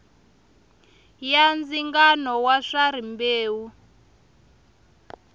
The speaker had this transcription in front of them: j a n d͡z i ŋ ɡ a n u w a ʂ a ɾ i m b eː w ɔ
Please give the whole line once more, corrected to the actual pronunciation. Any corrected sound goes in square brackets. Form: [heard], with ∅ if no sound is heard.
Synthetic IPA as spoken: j a n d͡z i ŋ ɡ a n [ɔ] w a ʂ a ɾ i m b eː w [u]